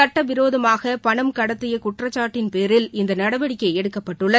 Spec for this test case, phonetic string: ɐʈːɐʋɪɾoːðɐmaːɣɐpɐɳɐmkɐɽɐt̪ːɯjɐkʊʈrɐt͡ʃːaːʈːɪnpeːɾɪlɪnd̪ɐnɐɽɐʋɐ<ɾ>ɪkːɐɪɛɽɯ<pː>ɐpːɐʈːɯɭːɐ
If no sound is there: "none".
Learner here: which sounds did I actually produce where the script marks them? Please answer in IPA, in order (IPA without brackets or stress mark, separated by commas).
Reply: ɽ, kː